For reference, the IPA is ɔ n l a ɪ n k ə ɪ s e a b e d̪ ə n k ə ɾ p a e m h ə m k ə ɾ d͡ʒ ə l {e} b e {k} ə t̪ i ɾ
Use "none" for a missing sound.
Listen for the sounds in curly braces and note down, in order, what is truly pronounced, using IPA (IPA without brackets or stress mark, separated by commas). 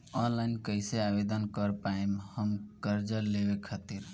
e, kʰ